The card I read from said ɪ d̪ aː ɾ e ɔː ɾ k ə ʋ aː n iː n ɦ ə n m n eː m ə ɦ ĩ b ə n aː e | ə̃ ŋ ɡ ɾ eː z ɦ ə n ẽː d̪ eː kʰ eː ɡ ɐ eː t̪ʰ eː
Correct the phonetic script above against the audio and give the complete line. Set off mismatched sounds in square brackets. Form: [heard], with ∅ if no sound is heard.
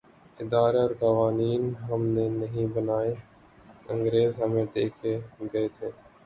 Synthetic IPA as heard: ɪ d̪ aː ɾ e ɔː ɾ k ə ʋ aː n iː n ɦ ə [∅] m n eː [n] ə ɦ ĩ b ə n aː e | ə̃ ŋ ɡ ɾ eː z ɦ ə [m] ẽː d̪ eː kʰ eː ɡ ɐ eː t̪ʰ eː